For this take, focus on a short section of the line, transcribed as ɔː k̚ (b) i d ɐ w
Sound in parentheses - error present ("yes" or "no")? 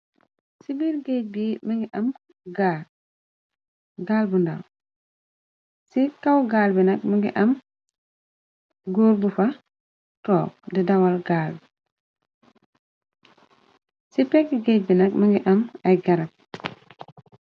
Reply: yes